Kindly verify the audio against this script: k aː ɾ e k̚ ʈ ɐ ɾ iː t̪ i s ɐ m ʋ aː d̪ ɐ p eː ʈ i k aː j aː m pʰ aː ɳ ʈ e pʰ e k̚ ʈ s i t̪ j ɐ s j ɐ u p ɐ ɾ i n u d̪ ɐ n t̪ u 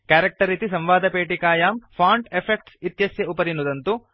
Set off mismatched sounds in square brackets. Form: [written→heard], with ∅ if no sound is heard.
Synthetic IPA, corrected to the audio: k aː ɾ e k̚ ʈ ɐ ɾ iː t̪ i s ɐ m ʋ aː d̪ ɐ p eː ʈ i k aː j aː m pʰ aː ɳ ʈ e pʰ e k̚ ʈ s i t̪ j ɐ s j ɐ u p ɐ ɾ i n u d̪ ɐ n t̪ u